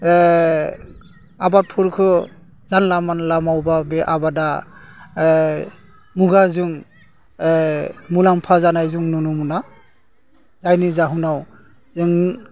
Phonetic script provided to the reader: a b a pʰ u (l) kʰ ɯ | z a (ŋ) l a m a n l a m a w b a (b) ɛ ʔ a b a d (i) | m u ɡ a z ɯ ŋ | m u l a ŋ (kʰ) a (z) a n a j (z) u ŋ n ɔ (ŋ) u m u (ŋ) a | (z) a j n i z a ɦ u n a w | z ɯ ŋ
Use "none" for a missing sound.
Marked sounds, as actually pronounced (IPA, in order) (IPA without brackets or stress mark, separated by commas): ɾ, n, b, a, pʰ, z, z, n, n, z